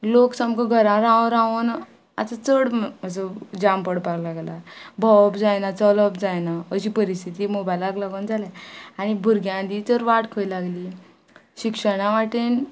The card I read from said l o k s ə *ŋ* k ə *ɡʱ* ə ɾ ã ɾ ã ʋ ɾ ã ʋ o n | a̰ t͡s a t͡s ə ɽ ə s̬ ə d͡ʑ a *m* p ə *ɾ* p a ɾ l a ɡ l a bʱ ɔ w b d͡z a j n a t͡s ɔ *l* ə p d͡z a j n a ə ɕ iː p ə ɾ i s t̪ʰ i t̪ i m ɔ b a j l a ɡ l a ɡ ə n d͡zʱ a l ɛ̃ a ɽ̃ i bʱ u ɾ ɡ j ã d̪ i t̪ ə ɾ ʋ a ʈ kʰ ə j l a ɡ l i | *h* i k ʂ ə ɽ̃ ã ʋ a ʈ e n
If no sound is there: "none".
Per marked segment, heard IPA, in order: m, ɡʱ, m, ɽ, l, ɕ

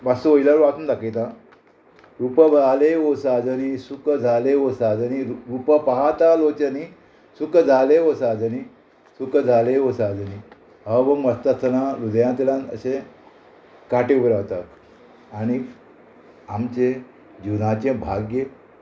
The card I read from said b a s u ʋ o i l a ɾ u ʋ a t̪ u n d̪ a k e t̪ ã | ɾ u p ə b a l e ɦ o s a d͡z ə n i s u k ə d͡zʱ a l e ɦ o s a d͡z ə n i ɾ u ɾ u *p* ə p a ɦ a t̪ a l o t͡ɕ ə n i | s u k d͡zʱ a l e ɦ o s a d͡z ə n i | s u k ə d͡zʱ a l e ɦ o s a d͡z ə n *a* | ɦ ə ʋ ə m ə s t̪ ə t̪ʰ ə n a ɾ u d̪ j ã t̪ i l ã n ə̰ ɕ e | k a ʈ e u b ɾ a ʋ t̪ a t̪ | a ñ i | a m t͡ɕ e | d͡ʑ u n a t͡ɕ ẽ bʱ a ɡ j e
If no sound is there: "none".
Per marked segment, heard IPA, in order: p, i

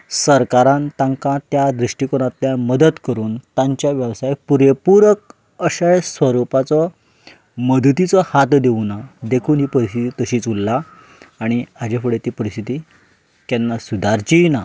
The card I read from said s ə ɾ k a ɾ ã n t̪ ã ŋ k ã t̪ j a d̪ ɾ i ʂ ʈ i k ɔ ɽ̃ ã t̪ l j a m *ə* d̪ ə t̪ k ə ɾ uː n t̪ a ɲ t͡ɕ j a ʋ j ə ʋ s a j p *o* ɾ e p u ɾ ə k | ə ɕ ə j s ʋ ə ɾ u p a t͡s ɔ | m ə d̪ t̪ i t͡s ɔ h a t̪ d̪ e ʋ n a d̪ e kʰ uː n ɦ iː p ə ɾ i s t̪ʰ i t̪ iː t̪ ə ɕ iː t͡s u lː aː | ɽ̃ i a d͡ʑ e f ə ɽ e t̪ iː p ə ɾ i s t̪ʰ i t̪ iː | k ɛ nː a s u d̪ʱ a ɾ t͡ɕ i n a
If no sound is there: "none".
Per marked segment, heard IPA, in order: ə, u

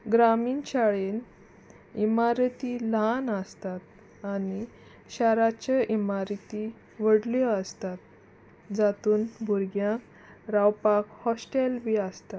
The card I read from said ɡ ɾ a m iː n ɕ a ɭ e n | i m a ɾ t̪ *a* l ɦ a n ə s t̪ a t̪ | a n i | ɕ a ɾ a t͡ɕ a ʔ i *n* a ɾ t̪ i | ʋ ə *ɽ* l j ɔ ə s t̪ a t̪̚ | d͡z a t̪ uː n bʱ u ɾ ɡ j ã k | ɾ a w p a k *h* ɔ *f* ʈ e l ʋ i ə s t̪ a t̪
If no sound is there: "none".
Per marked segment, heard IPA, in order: i, m, ɽ, h, s

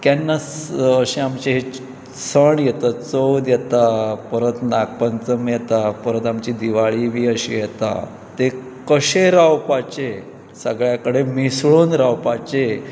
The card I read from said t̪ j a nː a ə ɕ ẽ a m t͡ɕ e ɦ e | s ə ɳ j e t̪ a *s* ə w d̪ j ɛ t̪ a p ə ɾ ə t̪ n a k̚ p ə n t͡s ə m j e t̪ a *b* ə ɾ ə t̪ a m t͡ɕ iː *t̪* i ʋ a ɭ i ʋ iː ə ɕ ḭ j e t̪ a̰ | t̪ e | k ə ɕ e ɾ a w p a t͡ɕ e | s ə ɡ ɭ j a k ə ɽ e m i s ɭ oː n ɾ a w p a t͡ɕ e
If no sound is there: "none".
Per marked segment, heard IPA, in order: t͡s, p, d̪

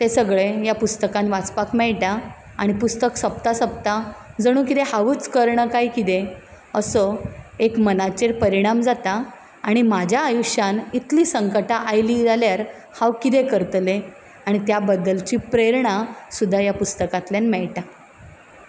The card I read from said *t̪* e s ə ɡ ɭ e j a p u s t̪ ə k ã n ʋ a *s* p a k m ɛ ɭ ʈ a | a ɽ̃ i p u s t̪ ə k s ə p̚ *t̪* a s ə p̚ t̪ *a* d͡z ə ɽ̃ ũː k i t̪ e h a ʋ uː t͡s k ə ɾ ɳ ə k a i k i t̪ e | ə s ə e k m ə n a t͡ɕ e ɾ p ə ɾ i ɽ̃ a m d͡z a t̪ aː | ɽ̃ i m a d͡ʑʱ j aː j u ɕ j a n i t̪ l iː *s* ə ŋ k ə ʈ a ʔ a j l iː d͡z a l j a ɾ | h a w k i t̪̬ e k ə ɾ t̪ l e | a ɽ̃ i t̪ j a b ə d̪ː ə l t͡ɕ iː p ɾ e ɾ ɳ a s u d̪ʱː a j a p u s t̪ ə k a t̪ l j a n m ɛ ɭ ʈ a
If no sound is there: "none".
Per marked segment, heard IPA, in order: t̪, t͡s, t̪, a, s

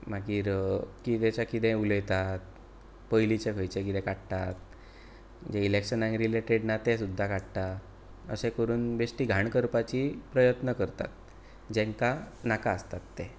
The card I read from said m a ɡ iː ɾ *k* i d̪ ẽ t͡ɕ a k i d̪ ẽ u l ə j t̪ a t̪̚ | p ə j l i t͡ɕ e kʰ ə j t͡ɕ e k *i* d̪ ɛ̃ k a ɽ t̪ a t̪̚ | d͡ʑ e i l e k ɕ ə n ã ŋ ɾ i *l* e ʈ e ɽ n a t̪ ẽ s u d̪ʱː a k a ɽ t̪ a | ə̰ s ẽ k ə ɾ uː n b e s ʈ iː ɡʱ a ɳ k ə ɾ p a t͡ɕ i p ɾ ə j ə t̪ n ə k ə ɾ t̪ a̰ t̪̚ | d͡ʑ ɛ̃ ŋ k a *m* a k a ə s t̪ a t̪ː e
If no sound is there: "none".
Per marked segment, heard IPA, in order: k, i, l, n

